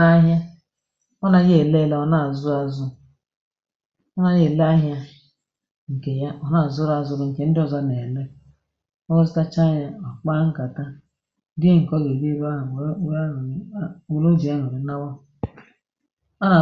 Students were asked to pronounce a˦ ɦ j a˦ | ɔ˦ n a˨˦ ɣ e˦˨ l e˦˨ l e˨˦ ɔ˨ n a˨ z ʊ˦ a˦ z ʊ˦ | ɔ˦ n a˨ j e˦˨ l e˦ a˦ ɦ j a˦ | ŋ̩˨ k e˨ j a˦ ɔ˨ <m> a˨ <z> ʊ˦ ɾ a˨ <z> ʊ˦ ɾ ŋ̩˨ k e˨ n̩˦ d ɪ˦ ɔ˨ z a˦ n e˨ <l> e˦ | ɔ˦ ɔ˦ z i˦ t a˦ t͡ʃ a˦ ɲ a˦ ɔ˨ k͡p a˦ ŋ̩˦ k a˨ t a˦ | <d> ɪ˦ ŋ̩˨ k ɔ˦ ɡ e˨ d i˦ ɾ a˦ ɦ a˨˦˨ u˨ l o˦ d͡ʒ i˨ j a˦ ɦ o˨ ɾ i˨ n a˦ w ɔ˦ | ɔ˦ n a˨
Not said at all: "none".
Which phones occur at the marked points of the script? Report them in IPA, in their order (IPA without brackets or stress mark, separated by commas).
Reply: n, z, z, l, d